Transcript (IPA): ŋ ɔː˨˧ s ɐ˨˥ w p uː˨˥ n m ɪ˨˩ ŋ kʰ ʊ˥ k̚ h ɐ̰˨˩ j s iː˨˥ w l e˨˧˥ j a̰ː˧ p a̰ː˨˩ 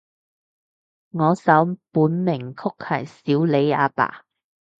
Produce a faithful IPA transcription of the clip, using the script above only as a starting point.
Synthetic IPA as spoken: ŋ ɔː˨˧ s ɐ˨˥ w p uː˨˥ n m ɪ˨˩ ŋ kʰ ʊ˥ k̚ h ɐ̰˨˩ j s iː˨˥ w l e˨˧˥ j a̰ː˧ p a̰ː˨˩